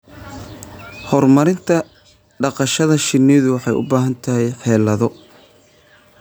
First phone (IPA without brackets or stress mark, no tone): h